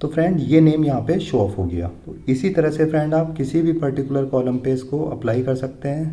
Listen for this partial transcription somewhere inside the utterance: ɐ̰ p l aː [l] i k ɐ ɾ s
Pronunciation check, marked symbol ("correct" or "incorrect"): incorrect